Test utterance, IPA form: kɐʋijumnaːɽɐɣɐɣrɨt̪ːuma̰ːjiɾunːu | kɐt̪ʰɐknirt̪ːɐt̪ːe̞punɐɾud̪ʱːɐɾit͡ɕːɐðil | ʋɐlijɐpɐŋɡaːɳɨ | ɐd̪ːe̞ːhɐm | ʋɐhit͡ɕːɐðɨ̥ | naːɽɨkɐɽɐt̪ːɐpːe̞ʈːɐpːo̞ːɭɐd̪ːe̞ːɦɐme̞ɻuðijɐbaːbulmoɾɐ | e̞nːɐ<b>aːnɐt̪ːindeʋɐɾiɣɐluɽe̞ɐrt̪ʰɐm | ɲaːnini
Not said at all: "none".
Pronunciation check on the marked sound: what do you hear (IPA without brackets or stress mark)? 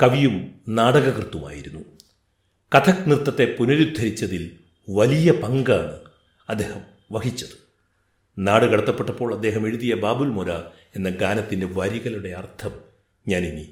ɡ